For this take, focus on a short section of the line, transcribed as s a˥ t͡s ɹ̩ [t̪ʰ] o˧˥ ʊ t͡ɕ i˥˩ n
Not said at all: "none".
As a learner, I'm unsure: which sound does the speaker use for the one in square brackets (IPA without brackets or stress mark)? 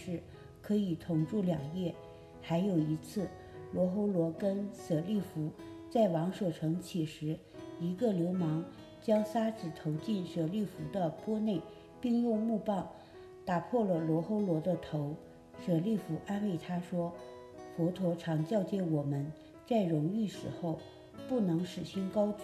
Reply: t̪ʰ